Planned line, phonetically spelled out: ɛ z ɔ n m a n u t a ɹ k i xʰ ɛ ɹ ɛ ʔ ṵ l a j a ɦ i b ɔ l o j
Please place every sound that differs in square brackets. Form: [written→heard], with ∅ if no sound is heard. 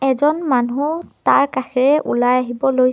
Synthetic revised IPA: ɛ z ɔ n m a n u t a ɹ k [i→a] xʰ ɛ ɹ ɛ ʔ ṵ l a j a ɦ i b ɔ l o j